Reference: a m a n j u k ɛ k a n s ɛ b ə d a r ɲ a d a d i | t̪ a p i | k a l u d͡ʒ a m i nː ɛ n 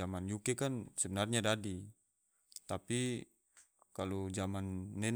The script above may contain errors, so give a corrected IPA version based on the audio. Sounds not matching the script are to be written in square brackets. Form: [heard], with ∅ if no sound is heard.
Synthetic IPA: a m a n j u k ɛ k a n s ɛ b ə [n] a r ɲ a d a d i | t̪ a p i | k a l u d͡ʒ a m [a] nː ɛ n